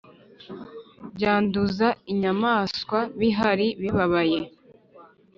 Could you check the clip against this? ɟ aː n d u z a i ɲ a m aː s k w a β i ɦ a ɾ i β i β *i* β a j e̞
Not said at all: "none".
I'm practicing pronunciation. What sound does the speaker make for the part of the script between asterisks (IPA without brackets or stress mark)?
a